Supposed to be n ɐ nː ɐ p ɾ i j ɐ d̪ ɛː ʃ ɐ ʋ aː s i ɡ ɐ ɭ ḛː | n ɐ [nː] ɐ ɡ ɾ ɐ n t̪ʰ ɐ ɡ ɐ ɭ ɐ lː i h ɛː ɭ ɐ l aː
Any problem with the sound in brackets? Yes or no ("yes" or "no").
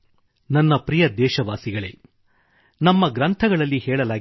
yes